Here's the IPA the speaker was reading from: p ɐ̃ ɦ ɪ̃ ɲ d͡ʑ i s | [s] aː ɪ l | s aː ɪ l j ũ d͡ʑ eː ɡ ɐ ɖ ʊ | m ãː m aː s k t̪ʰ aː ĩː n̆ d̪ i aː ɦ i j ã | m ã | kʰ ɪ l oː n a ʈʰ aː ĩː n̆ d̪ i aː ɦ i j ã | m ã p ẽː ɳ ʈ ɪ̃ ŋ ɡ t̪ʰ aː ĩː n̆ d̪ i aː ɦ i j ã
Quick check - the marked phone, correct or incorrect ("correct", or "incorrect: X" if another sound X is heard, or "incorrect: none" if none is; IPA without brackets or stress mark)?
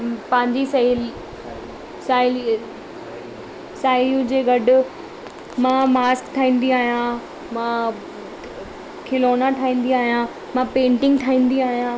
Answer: correct